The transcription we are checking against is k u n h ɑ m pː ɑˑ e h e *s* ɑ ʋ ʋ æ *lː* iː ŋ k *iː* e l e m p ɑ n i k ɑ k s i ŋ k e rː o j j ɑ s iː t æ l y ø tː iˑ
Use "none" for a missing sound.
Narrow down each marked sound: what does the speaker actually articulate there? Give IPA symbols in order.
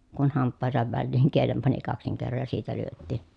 s, lː, i

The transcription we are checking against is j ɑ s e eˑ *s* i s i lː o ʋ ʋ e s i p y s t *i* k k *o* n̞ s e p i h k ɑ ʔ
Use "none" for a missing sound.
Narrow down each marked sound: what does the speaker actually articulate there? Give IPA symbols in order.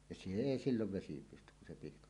none, y, u

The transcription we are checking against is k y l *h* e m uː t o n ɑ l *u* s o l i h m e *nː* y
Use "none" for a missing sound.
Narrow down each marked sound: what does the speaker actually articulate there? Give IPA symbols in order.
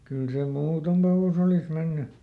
s, u, nː

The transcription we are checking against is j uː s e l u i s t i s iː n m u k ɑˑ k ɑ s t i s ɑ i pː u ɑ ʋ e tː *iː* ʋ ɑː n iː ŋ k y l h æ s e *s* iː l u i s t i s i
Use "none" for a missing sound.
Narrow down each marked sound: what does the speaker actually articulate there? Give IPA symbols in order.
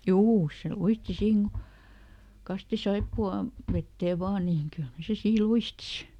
eː, s

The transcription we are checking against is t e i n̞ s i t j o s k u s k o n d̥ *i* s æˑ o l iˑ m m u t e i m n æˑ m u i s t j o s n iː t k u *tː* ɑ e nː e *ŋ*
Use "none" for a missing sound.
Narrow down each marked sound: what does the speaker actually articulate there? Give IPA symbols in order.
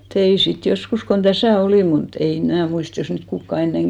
æ, kː, ŋ

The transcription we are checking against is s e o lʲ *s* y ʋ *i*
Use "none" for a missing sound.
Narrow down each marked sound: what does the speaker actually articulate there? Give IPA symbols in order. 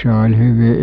h, i

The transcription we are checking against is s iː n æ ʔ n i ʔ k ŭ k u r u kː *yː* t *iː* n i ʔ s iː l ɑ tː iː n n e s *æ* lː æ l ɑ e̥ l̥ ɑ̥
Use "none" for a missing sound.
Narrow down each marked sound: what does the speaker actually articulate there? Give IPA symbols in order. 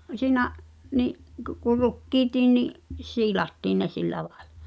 iː, iː, i

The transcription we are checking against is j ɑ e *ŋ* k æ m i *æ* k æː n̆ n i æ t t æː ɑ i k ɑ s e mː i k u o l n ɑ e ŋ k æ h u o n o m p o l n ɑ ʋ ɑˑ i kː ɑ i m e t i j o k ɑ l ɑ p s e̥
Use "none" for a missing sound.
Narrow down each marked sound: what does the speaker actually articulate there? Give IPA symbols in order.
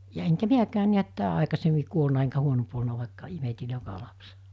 ŋ, æ

